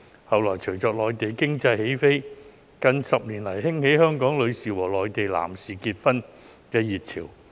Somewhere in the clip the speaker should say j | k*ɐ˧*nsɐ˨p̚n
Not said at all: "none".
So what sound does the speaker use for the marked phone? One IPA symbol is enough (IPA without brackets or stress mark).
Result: ɐ˧